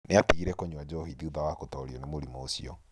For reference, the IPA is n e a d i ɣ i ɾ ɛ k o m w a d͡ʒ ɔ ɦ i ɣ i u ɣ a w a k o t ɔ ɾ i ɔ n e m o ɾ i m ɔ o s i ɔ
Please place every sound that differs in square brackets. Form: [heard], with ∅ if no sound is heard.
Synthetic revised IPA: n e a [t] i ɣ i ɾ ɛ k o [ɲ] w a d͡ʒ ɔ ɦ i [ð] i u [ð] a w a k o t ɔ ɾ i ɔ n e m o ɾ i m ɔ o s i ɔ